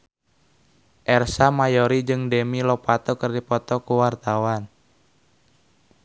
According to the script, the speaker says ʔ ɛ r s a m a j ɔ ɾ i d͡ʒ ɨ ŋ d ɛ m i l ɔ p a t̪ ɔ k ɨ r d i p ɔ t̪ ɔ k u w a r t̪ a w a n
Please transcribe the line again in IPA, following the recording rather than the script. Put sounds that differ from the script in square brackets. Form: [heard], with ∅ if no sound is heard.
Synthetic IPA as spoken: ʔ ɛ r s a m a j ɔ ɾ i d͡ʒ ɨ ŋ d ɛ m i l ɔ p a t̪ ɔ k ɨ r d i p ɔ t̪ ɔ k u w a r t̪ a w a n